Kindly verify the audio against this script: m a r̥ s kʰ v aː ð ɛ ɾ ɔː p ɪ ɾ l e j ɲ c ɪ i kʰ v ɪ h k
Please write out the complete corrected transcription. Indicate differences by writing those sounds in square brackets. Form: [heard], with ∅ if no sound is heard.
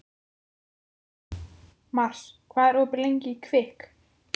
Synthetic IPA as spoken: m a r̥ s kʰ v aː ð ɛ ɾ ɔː p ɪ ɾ l e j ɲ c ɪ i kʰ v ɪ h k